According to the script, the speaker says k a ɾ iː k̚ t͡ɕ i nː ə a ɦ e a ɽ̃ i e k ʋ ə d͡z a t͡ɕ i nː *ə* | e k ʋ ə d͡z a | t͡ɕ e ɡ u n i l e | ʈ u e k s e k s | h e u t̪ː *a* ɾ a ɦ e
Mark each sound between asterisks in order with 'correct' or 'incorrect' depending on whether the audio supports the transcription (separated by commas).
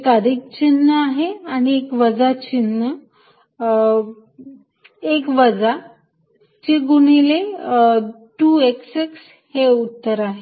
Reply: correct, incorrect